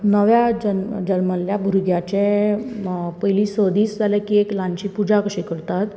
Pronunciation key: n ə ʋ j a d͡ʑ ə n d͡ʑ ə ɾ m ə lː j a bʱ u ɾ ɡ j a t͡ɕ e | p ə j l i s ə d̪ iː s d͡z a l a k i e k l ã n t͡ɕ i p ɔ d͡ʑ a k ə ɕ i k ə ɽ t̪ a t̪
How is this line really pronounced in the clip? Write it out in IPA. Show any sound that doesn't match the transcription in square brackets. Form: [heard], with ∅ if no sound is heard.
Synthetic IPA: n ə ʋ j a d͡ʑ ə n d͡ʑ ə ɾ m ə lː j a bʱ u ɾ ɡ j a t͡ɕ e | p ə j l i s ə d̪ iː s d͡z a l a k i e k l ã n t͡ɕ i p [u] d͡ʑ a k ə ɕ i k ə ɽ t̪ a t̪

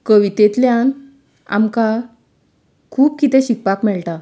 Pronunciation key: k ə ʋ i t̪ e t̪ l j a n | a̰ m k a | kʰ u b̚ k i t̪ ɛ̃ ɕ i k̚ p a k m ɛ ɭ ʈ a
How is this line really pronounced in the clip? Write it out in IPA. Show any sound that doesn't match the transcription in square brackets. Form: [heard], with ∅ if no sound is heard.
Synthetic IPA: k ə ʋ i t̪ e t̪ l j a n | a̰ m k a | kʰ [uː] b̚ k i t̪ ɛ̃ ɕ i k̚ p a k m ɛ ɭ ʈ a

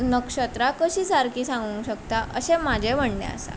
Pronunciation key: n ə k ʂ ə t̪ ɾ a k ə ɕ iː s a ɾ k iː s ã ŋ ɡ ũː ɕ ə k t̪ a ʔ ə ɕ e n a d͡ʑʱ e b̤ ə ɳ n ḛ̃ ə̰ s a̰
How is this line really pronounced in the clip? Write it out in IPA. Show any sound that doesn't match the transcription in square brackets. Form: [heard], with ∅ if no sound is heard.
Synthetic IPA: n ə k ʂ ə t̪ ɾ a k ə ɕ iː s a ɾ k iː s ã ŋ ɡ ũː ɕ ə k t̪ a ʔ ə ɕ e [m] a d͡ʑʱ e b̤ ə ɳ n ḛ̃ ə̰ s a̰

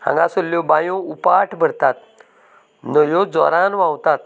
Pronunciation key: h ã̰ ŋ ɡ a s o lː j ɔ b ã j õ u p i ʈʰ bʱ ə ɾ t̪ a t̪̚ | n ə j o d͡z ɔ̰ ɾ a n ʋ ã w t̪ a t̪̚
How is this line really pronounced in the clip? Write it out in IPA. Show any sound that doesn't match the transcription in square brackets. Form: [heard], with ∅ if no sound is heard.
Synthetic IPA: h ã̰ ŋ ɡ a s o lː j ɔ b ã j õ u p [a] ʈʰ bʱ ə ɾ t̪ a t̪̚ | n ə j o d͡z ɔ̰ ɾ a n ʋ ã w t̪ a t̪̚

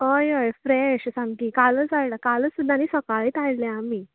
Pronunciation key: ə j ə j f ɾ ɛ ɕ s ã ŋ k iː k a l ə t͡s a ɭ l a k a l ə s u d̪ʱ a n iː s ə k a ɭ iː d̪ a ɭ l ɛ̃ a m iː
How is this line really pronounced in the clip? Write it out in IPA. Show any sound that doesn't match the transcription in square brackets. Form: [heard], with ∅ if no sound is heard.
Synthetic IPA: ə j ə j f ɾ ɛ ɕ s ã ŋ k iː k a l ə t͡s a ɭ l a k a l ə s u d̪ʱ a n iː s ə k a ɭ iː [t̪] a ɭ l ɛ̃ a m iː

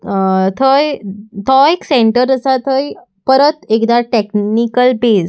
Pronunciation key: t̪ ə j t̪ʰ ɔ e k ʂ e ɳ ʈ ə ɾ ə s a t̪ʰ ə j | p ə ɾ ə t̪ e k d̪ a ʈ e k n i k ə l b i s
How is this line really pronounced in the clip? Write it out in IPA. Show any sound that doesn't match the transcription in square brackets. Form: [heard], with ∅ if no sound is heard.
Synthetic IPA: [t̪ʰ] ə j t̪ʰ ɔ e k [s] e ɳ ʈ ə ɾ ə s a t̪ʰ ə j | p ə ɾ ə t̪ e k d̪ a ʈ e k n i k ə l b [e] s

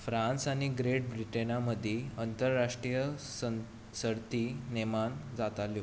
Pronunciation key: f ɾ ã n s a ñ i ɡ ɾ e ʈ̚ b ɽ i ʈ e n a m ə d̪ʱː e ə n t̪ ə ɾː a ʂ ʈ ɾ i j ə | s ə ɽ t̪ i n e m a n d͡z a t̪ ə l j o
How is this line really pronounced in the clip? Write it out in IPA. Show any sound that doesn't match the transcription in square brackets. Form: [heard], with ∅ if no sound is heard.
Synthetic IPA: f ɾ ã n s a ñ i ɡ ɾ e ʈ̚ b [ɾ] i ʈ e n a m ə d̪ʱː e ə n t̪ ə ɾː a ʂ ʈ ɾ i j ə | s ə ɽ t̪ i n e m a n d͡z a t̪ [a] l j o

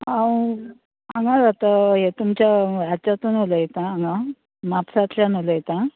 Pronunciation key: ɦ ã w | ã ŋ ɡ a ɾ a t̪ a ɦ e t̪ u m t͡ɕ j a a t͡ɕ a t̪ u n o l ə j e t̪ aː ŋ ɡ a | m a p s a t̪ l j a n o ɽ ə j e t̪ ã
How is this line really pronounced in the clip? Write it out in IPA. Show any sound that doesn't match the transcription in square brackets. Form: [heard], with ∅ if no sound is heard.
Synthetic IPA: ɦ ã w | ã ŋ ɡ a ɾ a t̪ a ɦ e t̪ u m t͡ɕ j a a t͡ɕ a t̪ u n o l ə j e t̪ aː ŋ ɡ a | m a p s a t̪ l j a n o [l] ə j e t̪ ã

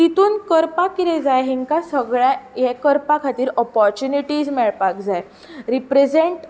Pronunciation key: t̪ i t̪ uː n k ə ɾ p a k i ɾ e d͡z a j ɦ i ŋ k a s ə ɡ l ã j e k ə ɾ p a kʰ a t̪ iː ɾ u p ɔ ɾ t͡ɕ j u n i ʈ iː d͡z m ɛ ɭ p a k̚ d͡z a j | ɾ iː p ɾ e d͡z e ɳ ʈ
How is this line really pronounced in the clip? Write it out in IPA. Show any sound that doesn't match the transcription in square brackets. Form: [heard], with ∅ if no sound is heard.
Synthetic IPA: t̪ i t̪ uː n k ə ɾ p a k i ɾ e d͡z a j ɦ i ŋ k a s ə ɡ [ɭ] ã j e k ə ɾ p a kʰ a t̪ iː ɾ [ɔ] p ɔ ɾ t͡ɕ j u n i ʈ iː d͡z m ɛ ɭ p a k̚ d͡z a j | ɾ [i] p ɾ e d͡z e ɳ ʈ

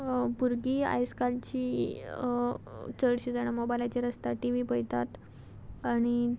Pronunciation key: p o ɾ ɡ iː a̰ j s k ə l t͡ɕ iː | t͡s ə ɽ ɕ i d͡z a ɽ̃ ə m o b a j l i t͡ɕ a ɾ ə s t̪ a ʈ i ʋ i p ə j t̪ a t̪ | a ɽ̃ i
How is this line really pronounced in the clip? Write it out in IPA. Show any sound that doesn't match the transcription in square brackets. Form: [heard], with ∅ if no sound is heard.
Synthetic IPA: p [u] ɾ ɡ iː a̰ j s k [a] l t͡ɕ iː | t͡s ə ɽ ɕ i d͡z a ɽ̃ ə m o b a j l [a] t͡ɕ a ɾ ə s t̪ a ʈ i ʋ i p ə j t̪ a t̪ | a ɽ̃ i

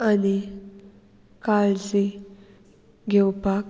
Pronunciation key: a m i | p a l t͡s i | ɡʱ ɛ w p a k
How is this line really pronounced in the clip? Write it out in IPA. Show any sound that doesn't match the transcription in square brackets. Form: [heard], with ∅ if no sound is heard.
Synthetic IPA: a [n] i | [k] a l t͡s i | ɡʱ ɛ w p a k

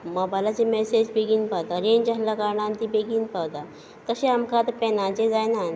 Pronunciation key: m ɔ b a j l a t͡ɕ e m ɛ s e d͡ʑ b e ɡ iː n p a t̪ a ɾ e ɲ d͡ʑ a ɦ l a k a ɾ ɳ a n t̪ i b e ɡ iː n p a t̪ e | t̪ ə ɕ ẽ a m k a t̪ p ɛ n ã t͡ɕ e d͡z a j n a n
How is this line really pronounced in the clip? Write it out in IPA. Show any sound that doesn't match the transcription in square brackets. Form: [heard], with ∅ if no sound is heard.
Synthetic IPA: m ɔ b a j l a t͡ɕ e m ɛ s e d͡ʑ b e ɡ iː n p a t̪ a ɾ e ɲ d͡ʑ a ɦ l a k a ɾ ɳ a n t̪ i b e ɡ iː n p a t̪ [a] | t̪ ə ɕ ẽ a m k a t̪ p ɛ n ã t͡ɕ e d͡z a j n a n

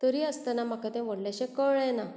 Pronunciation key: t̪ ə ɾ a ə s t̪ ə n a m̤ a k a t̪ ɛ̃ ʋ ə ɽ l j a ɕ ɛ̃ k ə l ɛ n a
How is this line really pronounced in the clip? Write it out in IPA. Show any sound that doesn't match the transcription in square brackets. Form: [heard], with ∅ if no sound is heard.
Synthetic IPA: t̪ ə ɾ [i] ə s t̪ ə n a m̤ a k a t̪ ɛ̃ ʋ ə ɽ l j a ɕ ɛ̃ k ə [ɭ] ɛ n a

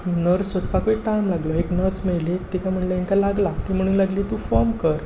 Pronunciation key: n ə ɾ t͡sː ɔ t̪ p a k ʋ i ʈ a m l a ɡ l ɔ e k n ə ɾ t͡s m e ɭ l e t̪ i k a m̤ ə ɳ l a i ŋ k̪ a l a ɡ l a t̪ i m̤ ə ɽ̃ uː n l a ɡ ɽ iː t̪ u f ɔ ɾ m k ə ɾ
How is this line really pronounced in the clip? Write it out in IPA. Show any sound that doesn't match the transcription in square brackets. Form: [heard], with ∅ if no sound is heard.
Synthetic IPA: n ə ɾ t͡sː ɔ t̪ p a k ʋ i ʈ a m l a ɡ l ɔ e k n ə ɾ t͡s m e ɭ l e t̪ i k a m̤ ə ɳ l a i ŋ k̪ a l a ɡ l a t̪ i m̤ ə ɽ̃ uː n l a ɡ [l] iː t̪ u f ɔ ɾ m k ə ɾ

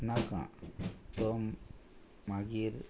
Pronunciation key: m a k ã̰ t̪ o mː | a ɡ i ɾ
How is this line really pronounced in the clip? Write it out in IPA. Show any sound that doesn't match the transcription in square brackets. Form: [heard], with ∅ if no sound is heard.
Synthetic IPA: [n] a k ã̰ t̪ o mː | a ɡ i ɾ

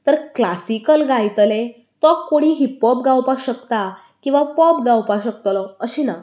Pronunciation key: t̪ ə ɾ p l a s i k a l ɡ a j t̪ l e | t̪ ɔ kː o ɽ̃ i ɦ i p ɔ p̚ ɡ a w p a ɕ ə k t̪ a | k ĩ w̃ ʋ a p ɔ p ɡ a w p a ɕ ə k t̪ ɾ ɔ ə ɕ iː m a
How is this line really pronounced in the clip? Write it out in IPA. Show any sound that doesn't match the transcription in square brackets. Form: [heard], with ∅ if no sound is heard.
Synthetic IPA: t̪ ə ɾ [k] l a s i k [ə] l ɡ a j t̪ l e | t̪ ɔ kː o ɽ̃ i ɦ i p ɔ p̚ ɡ a w p a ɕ ə k t̪ a | k ĩ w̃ ʋ a p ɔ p ɡ a w p a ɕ ə k t̪ [l] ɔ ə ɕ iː [n] a

